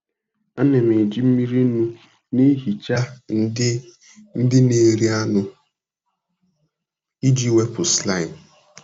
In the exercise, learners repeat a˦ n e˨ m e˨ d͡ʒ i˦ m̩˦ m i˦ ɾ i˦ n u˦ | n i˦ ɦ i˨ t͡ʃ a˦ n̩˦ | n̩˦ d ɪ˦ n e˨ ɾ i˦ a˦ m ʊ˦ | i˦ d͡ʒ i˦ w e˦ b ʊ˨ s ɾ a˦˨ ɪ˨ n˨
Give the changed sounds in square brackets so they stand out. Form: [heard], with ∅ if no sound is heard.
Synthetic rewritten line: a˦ n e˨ m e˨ d͡ʒ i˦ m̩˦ m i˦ ɾ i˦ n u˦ | n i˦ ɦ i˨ t͡ʃ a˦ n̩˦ | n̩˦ d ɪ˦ n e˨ ɾ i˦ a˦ [n] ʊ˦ | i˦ d͡ʒ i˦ w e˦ [p] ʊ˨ s [l] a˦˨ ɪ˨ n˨

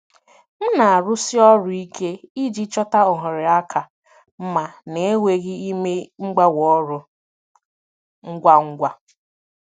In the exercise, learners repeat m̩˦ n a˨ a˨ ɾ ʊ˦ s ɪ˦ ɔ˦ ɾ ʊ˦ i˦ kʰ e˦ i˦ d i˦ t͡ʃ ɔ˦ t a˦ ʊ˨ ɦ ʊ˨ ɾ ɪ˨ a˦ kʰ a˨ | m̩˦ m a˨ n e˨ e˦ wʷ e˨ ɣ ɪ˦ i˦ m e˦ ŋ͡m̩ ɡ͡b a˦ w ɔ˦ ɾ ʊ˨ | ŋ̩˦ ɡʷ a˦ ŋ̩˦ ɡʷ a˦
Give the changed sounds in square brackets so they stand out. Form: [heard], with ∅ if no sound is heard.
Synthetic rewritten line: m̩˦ n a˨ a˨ ɾ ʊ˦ s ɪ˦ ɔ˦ ɾ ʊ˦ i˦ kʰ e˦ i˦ [d͡ʒ] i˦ t͡ʃ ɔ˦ t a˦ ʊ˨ ɦ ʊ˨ ɾ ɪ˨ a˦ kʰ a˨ | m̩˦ m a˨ n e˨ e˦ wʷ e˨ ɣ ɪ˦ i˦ m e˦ ŋ͡m̩ ɡ͡b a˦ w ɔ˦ ɾ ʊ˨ | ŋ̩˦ ɡʷ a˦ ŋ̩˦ ɡʷ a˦

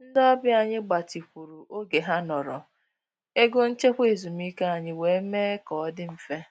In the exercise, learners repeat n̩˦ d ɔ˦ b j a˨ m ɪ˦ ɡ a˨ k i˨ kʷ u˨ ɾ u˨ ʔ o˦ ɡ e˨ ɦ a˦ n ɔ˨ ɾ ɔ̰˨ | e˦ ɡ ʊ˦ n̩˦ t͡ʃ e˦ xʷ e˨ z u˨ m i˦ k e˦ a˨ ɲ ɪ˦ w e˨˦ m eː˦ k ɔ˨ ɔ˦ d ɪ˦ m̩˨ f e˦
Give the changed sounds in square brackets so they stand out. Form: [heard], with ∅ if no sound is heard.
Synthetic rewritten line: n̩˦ d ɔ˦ b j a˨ [ɲ] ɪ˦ [ɡ͡b] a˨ [t] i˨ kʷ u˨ ɾ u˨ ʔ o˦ ɡ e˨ ɦ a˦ n ɔ˨ ɾ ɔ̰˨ | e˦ ɡ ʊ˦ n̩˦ t͡ʃ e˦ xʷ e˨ z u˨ m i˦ k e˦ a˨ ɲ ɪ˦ w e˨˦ m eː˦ k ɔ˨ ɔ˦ d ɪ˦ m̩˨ f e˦

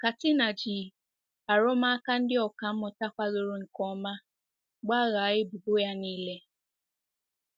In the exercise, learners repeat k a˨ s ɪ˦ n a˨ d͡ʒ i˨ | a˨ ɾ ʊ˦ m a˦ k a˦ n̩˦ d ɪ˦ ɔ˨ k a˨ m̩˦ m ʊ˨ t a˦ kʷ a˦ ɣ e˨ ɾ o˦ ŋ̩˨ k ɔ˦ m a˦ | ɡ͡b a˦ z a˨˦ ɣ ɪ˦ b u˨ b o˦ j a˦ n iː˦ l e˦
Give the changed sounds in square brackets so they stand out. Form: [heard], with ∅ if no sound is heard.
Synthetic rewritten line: k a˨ [t] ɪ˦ n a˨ d͡ʒ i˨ | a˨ ɾ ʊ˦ m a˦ k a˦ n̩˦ d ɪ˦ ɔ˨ k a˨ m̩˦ m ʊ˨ t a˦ kʷ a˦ ɣ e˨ ɾ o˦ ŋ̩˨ k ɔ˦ m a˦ | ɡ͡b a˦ [ɣ] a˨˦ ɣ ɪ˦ b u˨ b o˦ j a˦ n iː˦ l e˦

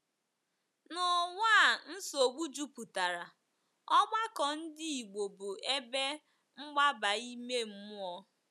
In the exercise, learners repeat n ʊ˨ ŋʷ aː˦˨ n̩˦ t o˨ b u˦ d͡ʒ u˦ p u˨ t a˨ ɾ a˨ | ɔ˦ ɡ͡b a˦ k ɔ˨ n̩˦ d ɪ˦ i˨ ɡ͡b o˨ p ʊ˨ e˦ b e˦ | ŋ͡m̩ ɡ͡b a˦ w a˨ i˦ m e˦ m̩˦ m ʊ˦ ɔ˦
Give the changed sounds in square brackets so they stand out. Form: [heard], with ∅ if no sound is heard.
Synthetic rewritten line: n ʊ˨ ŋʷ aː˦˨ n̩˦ [s] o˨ [ɡ͡b] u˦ d͡ʒ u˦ p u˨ t a˨ ɾ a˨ | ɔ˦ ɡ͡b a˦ k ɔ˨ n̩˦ d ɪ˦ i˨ ɡ͡b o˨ [b] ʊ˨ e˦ b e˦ | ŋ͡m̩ ɡ͡b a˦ [b] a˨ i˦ m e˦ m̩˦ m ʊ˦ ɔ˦

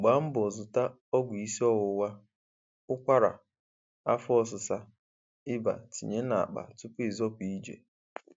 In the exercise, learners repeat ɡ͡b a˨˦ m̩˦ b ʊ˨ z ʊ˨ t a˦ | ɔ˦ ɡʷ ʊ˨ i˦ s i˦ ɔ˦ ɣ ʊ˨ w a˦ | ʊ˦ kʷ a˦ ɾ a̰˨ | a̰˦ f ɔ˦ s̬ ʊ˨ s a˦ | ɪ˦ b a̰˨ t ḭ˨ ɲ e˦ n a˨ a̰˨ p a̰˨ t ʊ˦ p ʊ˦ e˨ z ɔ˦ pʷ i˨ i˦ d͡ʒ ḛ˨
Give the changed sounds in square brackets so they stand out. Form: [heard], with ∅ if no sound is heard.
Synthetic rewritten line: ɡ͡b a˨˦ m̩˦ b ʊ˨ z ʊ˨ t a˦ | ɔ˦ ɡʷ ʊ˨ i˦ s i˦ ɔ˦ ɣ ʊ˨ w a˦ | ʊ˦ kʷ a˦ ɾ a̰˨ | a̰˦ f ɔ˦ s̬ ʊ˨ s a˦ | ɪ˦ b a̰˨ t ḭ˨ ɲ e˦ n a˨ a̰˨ [k͡p] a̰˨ t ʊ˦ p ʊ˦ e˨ z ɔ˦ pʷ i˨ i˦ d͡ʒ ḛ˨

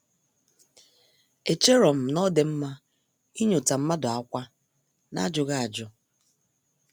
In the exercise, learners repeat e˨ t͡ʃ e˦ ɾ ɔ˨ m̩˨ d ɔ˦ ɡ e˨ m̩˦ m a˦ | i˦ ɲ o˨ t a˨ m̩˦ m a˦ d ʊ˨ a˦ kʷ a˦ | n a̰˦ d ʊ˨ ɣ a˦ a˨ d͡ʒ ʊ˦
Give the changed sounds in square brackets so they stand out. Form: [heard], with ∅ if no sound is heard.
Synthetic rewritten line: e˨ t͡ʃ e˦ ɾ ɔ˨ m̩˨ [n] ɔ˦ [d] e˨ m̩˦ m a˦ | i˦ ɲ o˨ t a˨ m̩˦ m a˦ d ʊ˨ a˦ kʷ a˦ | n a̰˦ [d͡ʒ] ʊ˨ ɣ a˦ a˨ d͡ʒ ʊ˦

